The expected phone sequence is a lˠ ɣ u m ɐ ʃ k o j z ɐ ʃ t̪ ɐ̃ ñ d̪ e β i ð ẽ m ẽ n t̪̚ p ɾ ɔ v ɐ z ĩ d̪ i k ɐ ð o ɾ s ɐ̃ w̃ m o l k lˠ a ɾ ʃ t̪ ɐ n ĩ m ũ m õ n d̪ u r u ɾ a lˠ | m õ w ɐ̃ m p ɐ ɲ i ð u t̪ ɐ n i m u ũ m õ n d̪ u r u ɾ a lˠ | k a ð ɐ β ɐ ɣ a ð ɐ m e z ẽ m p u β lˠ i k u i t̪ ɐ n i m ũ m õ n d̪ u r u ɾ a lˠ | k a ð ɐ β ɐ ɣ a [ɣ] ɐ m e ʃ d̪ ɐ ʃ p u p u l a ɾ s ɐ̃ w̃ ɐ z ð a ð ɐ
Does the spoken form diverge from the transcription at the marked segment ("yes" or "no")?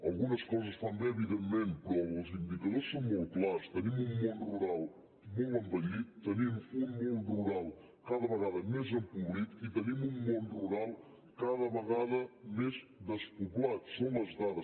yes